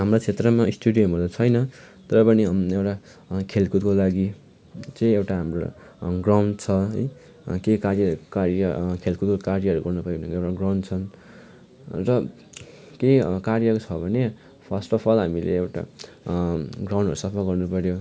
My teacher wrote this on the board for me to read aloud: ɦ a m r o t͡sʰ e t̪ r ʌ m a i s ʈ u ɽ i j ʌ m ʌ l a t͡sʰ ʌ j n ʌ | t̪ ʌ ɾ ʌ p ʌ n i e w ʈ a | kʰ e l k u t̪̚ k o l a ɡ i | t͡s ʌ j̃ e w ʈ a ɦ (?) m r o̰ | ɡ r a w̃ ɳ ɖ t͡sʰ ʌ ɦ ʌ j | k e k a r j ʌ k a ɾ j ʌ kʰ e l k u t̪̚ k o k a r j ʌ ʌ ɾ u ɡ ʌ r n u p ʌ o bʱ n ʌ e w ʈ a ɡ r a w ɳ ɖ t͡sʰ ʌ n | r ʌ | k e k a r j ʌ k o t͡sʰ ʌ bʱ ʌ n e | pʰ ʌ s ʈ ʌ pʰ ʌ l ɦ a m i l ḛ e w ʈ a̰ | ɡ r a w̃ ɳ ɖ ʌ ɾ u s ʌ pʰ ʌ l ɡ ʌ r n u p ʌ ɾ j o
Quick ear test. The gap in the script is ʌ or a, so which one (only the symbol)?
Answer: a